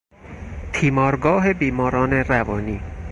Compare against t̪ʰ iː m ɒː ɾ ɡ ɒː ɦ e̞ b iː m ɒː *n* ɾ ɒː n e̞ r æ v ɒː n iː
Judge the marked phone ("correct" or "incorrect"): incorrect